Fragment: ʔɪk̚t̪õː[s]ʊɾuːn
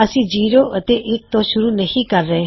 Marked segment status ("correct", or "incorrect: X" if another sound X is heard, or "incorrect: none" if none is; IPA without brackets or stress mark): incorrect: ʃ